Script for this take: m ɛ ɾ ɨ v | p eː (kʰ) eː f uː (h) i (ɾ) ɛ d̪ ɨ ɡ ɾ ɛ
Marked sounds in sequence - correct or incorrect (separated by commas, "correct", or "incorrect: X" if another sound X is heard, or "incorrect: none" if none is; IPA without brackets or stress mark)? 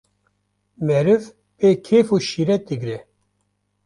correct, incorrect: ʃ, correct